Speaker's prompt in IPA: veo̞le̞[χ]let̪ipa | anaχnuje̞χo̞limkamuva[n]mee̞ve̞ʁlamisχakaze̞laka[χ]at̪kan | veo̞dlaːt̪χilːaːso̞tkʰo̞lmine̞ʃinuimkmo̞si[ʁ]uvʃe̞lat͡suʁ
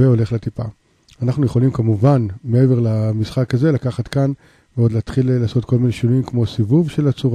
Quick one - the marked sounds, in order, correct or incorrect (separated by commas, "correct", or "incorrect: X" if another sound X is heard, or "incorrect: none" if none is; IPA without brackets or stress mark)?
correct, correct, correct, incorrect: v